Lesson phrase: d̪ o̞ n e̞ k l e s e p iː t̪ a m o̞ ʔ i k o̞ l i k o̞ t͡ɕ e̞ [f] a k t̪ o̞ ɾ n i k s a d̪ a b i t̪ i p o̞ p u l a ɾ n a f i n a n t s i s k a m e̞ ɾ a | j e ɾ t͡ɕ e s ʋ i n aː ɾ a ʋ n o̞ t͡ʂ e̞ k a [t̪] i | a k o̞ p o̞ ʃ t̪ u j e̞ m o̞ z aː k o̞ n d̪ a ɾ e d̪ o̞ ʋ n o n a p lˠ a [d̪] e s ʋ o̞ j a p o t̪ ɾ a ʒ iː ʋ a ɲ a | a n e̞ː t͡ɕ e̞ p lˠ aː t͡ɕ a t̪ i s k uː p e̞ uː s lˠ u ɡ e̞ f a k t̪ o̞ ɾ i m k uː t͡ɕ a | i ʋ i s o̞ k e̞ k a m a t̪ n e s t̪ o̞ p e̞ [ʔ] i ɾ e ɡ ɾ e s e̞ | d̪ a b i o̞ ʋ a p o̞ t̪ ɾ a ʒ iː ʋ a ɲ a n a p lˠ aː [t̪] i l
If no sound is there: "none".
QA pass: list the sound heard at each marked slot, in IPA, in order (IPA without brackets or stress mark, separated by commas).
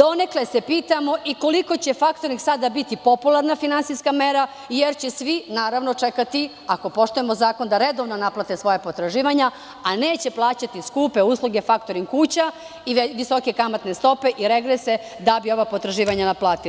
f, t̪, t̪, ʔ, t̪